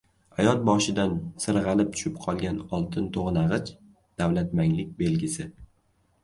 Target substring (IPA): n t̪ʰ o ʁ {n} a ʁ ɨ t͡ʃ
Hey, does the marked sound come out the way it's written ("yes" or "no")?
yes